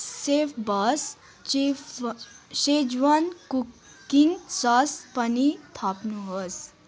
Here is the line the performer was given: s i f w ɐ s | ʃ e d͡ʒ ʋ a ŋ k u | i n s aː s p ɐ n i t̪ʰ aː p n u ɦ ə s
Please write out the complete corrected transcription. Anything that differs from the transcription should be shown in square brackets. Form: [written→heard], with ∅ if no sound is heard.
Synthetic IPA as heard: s [i→e] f [w→b] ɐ s | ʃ e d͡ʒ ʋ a [ŋ→n] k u | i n s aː s p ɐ n i t̪ʰ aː p n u ɦ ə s